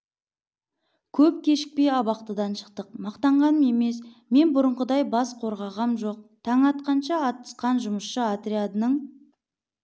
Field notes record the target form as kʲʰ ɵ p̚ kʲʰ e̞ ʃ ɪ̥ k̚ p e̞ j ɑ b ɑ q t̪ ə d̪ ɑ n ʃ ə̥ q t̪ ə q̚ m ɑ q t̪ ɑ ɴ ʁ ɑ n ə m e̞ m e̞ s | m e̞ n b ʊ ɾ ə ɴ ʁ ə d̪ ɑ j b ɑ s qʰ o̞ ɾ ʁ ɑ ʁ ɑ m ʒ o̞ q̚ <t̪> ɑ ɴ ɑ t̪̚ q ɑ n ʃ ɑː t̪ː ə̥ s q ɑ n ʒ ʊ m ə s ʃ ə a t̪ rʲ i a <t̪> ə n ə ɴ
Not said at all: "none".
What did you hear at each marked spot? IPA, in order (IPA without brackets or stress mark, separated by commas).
t̪ʰ, d̪